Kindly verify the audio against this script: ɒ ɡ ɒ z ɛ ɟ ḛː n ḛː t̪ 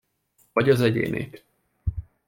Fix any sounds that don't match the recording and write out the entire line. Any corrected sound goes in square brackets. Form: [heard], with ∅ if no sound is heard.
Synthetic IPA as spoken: ɒ [ɟ] ɒ z ɛ ɟ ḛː n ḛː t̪